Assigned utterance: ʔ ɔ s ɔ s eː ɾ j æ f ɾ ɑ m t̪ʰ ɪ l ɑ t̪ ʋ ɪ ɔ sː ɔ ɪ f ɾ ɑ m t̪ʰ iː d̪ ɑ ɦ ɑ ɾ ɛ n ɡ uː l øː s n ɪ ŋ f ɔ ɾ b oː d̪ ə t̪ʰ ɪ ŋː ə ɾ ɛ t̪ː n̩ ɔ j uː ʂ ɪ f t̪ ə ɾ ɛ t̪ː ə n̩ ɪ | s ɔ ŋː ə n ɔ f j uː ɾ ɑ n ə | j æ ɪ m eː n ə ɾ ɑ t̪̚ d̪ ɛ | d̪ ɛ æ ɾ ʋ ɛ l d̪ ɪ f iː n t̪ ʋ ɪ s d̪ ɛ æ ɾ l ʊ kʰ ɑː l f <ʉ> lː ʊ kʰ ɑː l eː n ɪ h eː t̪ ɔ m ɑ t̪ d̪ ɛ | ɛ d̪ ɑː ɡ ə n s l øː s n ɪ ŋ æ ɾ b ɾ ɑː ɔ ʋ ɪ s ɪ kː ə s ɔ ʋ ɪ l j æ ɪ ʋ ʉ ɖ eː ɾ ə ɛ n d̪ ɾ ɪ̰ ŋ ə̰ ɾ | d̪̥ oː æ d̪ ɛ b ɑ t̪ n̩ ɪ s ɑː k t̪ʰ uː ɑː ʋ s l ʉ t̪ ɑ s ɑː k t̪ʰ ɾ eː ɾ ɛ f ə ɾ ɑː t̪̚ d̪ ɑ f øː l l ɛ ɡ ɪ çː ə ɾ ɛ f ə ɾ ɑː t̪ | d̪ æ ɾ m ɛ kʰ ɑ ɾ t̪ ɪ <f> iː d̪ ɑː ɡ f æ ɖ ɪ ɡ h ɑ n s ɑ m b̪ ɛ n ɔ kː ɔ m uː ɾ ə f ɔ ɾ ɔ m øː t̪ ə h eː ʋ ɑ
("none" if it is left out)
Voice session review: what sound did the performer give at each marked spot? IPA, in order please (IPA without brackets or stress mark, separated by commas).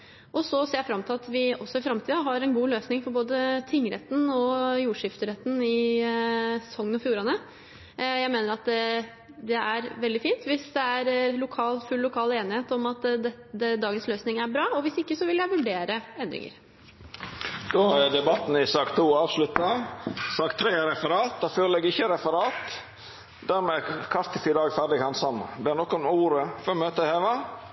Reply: ʉ, f